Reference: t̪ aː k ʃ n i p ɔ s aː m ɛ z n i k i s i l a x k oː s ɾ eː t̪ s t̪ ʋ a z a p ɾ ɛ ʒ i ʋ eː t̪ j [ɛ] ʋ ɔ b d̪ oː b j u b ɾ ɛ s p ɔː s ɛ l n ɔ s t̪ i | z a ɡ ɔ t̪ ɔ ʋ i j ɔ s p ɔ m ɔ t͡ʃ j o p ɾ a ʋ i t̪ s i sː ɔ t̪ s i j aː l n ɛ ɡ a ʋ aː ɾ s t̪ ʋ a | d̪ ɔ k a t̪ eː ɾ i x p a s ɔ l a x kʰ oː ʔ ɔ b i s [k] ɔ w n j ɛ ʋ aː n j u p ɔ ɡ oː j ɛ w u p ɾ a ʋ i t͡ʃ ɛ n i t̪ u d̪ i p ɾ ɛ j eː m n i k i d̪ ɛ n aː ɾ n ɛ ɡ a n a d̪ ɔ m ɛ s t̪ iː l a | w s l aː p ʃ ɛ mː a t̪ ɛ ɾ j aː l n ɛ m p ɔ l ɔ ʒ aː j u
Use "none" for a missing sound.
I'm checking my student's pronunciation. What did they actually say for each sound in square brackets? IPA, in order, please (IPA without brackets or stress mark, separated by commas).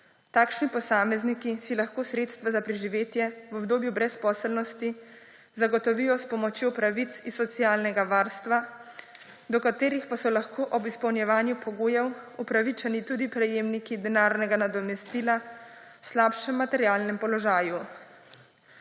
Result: ɛ, p